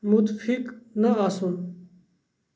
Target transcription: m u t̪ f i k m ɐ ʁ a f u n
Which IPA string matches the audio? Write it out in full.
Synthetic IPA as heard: m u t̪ f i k n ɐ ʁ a s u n